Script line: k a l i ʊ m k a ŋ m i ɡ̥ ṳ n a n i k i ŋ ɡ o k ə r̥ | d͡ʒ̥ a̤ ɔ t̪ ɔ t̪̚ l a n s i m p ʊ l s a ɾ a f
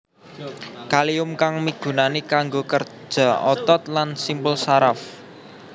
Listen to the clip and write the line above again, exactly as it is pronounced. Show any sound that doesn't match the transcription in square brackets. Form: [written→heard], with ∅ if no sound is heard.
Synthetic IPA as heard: k a l i ʊ m k a ŋ m i ɡ̥ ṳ n a n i k [i→a] ŋ ɡ o k ə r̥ | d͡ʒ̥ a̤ ɔ t̪ ɔ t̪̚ l a n s i m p ʊ l s a ɾ a f